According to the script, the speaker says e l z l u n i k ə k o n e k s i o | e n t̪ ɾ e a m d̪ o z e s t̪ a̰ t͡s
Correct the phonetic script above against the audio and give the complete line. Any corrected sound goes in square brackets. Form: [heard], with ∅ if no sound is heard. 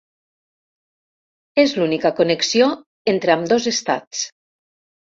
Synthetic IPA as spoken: e [∅] z l u n i k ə k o n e k s i o | e n t̪ ɾ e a m d̪ o z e s t̪ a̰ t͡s